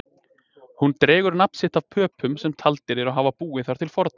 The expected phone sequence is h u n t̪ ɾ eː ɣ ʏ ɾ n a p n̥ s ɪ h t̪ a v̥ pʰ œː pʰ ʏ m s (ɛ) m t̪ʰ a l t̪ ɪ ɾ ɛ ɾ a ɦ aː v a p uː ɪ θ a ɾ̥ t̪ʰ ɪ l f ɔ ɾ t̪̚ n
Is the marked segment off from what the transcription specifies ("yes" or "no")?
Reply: no